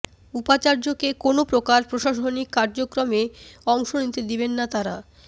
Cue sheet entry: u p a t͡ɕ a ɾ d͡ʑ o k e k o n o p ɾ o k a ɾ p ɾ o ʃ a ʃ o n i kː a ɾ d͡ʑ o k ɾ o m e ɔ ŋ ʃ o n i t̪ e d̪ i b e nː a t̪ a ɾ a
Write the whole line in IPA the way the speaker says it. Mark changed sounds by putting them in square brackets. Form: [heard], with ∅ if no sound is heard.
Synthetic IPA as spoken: u p a t͡ɕ a ɾ d͡ʑ o k e k o n o p ɾ o k a ɾ p ɾ o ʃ a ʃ o n i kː a ɾ d͡ʑ o k ɾ o m e ɔ ŋ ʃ o n i t̪ e d̪ i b e nː a t̪ a ɾ a